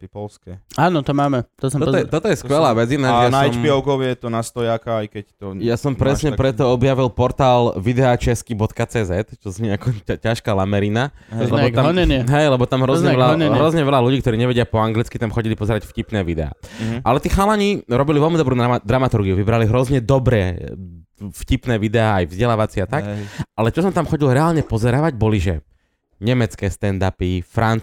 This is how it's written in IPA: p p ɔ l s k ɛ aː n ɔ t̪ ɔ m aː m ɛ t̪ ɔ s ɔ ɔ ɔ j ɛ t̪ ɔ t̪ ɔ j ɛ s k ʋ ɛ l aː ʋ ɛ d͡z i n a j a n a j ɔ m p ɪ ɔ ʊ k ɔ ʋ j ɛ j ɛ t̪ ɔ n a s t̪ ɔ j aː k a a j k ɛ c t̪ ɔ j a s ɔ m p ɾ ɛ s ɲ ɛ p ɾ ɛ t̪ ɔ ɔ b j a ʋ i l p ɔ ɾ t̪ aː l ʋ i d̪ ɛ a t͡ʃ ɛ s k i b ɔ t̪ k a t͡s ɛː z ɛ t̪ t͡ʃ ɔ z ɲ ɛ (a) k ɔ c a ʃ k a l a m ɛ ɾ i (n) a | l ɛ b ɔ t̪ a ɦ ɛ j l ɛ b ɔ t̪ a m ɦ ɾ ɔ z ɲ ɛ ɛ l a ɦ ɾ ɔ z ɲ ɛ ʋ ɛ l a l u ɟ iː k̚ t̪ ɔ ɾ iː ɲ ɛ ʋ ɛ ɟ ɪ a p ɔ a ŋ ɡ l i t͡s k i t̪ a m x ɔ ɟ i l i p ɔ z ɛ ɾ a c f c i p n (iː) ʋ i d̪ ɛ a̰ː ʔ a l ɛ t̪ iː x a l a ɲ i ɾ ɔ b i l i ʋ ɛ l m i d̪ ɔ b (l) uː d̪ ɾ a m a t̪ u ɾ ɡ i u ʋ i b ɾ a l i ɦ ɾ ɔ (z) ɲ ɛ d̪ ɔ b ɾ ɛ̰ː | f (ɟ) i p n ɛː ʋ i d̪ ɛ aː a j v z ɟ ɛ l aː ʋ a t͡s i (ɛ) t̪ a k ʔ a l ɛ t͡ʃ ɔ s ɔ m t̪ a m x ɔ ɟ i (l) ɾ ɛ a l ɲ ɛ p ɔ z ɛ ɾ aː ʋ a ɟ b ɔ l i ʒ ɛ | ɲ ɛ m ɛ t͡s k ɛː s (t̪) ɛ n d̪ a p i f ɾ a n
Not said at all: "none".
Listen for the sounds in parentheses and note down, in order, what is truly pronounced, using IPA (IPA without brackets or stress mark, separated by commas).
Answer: a, n, ɛː, ɾ, z, c, a, l, t̪